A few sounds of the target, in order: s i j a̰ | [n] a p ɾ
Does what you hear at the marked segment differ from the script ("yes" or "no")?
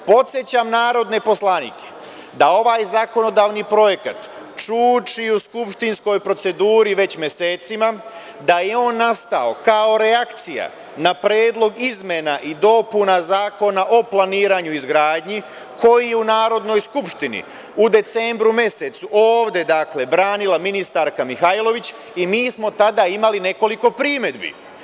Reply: no